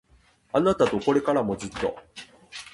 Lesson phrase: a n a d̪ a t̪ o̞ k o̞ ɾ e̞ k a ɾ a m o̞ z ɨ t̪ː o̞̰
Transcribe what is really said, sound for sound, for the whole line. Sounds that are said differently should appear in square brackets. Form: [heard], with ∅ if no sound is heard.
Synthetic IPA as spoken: a n a [t̪] a t̪ o̞ k o̞ ɾ e̞ k a ɾ a m o̞ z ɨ t̪ː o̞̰

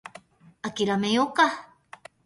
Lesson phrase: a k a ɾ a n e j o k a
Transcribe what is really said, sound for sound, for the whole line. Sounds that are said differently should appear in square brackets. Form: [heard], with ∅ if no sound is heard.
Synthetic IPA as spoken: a k [i] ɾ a [m] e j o k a

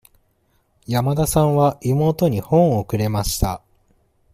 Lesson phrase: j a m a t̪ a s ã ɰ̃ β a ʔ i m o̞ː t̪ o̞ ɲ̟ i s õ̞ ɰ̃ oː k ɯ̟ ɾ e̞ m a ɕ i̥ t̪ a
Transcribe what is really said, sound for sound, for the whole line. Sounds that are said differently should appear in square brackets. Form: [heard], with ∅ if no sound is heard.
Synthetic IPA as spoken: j a m a [d̪] a s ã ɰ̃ β a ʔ i m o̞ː t̪ o̞ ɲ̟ i [h] õ̞ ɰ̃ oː k ɯ̟ ɾ e̞ m a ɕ i̥ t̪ a

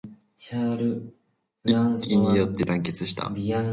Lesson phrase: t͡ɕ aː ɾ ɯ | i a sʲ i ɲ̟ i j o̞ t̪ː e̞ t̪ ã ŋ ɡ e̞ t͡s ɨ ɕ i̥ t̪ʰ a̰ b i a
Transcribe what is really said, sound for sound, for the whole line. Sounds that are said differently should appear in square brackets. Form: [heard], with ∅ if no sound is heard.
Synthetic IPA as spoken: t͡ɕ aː ɾ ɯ | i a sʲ i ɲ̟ i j o̞ t̪ː e̞ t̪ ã ŋ [k] e̞ t͡s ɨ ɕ i̥ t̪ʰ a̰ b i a

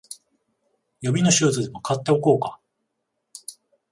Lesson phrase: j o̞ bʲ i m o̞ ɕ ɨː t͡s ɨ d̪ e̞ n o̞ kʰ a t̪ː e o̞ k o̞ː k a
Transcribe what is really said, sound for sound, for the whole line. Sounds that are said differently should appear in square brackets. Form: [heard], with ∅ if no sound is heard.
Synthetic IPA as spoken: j o̞ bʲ i [n] o̞ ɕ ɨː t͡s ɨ d̪ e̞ [m] o̞ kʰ a t̪ː e o̞ k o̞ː k a

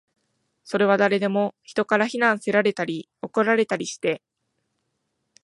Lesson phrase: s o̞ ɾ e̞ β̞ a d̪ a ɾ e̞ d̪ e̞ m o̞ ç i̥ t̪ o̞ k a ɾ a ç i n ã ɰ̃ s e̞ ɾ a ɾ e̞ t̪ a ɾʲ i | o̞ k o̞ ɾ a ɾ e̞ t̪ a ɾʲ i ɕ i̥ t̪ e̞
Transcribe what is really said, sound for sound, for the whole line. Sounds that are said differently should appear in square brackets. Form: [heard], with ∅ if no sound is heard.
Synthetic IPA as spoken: s o̞ ɾ e̞ β̞ a d̪ a ɾ e̞ d̪ e̞ m o̞ ç i̥ t̪ o̞ k a ɾ a ç i n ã ɰ̃ s e̞ ɾ a ɾ e̞ t̪ a ɾʲ i | o̞ k o̞ ɾ a ɾ e̞ t̪ a ɾʲ i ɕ i̥ t̪ e̞

